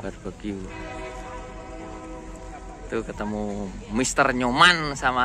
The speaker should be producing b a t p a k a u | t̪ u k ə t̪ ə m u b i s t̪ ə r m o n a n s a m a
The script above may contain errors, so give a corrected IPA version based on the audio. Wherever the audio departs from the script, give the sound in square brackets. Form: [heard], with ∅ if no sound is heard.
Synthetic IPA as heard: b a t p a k [i] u | t̪ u k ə t̪ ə m u [m] i s t̪ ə r [ɲ] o [m] a n s a m a